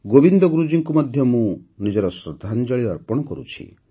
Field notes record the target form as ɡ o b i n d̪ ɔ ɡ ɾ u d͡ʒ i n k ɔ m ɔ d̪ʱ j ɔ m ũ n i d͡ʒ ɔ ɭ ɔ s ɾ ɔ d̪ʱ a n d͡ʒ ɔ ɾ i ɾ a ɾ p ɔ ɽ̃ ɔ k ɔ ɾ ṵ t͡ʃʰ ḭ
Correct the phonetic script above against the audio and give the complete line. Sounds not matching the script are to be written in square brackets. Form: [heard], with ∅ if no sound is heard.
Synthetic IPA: ɡ o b i n d̪ ɔ ɡ ɾ u d͡ʒ i [ŋ] k [u] m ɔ d̪ʱ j ɔ m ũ n i d͡ʒ ɔ [ɾ] ɔ s ɾ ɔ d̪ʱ a n d͡ʒ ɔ [ɭ] i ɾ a ɾ p ɔ ɽ̃ ɔ k ɔ ɾ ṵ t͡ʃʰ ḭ